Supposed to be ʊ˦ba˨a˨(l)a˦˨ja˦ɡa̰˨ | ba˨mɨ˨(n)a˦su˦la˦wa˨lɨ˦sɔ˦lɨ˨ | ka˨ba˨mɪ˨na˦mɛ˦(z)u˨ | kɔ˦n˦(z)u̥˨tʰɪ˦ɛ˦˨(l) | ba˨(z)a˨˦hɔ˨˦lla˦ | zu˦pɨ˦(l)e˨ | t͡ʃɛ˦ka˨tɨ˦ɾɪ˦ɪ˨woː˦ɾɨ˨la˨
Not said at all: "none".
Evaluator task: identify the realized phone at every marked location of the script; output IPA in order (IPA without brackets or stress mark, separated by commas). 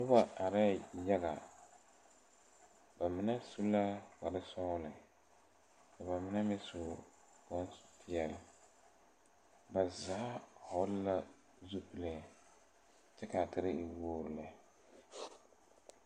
ɾ, n, s, s, l, z, l